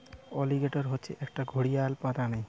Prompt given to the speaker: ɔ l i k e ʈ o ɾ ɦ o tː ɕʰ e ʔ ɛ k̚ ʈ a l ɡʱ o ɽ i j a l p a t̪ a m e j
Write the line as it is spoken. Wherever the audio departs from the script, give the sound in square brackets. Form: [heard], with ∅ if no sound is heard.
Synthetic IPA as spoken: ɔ l i [ɡ] e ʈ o ɾ ɦ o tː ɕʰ e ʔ ɛ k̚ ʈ a [∅] ɡʱ o ɽ i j a l p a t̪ a [n] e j